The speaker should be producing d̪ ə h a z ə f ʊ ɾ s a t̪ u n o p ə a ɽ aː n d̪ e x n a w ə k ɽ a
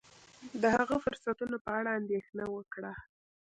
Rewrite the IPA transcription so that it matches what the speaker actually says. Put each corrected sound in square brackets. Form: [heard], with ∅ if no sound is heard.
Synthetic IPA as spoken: d̪ ə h a [ɣ] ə f ʊ ɾ s a t̪ u n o p ə a ɽ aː n d̪ e x n a w ə k ɽ a